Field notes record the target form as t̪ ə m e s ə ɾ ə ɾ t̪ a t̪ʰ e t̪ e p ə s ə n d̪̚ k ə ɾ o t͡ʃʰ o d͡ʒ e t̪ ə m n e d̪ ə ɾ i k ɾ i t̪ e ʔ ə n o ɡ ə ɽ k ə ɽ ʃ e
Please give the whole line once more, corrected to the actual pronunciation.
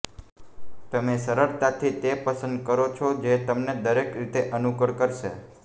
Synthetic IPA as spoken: t̪ ə m e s ə ɾ ə ɾ t̪ a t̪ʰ i t̪ e p ə s ə n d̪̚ k ə ɾ o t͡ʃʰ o d͡ʒ e t̪ ə m n e d̪ ə ɾ e k ɾ i t̪ e ʔ ə n u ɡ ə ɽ k ə ɾ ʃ e